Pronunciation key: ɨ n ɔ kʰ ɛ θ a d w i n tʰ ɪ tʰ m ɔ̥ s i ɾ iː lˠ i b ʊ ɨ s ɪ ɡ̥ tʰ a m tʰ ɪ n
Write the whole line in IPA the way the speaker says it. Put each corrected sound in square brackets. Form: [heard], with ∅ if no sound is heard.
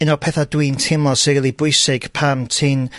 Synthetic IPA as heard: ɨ n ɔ [pʰ] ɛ θ a d w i n tʰ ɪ [∅] m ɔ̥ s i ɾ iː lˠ i b ʊ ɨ s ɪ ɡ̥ [pʰ] a m tʰ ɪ n